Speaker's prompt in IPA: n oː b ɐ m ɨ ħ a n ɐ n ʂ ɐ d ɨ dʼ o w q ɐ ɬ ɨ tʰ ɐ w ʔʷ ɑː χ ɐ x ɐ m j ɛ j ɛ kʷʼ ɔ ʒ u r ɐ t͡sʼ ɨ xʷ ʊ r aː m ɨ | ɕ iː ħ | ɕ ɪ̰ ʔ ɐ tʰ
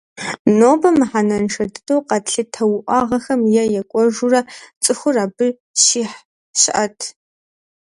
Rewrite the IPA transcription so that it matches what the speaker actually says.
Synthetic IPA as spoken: n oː b ɐ m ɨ ħ a n ɐ n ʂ ɐ d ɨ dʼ o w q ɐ ɬ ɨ tʰ ɐ w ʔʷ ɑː ʁ ɐ x ɐ m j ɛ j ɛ kʷʼ ɔ ʒ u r ɐ t͡sʼ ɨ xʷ ʊ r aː b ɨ | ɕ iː ħ | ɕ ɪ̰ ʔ ɐ tʰ